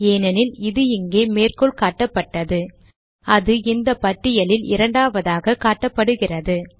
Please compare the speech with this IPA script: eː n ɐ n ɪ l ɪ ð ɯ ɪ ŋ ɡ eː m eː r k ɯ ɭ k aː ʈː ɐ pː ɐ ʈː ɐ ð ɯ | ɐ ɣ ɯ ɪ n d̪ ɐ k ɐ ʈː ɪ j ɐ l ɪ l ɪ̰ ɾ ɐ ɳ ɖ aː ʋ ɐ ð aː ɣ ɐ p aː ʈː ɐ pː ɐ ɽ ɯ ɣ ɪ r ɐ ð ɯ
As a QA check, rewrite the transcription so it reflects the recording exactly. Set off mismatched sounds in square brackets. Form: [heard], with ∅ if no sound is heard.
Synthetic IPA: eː n ɐ n ɪ l ɪ ð ɯ ɪ ŋ ɡ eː m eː r k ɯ ɭ k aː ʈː ɐ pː ɐ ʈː ɐ ð ɯ | ɐ [ð] ɯ ɪ n d̪ ɐ [p] ɐ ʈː ɪ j ɐ l ɪ l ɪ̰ ɾ ɐ ɳ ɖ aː ʋ ɐ ð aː ɣ ɐ [k] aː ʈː ɐ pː ɐ ɽ ɯ ɣ ɪ r ɐ ð ɯ